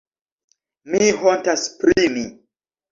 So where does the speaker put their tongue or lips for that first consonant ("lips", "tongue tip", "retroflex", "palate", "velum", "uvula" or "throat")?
lips